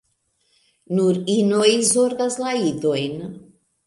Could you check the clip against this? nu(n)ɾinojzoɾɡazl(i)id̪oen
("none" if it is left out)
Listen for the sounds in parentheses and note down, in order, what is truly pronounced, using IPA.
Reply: none, a

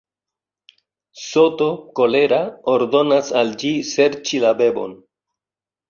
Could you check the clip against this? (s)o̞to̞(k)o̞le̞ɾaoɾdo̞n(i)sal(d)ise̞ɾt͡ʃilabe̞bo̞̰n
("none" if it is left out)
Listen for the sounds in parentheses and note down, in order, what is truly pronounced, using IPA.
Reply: s, k, a, d͡ʒ

